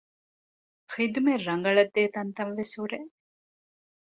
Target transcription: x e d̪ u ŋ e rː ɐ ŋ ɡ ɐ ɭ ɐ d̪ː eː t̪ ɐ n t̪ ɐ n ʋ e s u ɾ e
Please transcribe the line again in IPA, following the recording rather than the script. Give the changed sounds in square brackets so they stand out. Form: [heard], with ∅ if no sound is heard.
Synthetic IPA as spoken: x [i] d̪ u [m] e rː ɐ ŋ ɡ ɐ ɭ ɐ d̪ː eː t̪ ɐ n t̪ ɐ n ʋ e s u ɾ e